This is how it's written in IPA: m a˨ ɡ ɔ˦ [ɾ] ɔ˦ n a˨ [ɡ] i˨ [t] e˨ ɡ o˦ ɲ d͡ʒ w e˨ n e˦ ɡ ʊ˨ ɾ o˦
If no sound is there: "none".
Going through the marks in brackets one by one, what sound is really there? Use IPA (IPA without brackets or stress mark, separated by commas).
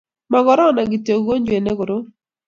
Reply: ɾ, ɡ, t